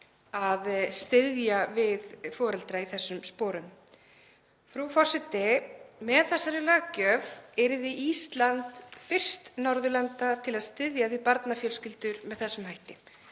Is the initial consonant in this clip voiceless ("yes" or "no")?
no